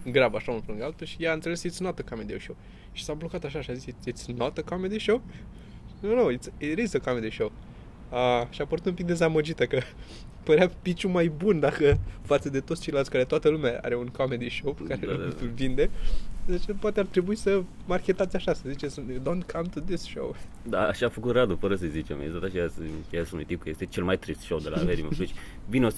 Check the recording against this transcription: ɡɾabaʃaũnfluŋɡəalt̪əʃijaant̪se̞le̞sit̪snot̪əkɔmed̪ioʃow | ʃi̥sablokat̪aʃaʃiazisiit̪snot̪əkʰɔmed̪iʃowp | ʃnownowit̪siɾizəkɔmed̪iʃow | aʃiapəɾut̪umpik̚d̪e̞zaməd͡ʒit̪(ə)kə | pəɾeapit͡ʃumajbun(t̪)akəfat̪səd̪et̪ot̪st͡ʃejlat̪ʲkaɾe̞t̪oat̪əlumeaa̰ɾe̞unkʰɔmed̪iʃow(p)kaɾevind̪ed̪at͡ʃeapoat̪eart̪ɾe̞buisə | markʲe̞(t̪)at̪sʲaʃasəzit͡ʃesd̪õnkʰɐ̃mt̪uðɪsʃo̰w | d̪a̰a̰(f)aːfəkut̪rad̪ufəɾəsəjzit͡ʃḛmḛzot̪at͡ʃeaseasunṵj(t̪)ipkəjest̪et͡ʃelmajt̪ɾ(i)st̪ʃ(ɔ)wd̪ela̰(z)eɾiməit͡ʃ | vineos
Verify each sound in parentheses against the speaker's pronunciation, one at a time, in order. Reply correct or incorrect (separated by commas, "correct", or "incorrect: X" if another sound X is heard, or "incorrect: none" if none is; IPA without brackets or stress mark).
correct, incorrect: d̪, correct, correct, incorrect: ʃ, correct, correct, incorrect: o, incorrect: v